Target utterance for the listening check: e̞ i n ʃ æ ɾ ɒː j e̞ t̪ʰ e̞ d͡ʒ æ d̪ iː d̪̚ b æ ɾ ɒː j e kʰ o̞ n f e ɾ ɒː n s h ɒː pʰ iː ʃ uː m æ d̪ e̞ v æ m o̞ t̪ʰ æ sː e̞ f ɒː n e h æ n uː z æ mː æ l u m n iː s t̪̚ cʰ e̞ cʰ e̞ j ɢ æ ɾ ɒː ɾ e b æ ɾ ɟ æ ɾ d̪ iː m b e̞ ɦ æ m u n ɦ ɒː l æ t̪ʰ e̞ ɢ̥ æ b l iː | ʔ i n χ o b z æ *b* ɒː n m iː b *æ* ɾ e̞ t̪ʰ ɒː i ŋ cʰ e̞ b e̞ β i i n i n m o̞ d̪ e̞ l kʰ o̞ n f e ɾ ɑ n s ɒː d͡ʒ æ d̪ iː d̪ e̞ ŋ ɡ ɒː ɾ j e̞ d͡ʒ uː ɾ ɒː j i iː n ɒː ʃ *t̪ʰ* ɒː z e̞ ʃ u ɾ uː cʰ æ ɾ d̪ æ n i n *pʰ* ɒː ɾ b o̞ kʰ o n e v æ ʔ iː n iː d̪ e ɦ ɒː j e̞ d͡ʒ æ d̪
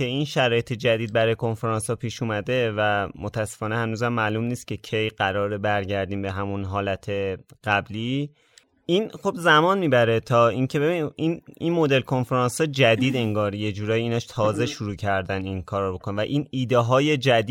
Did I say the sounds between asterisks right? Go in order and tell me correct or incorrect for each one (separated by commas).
incorrect, correct, correct, incorrect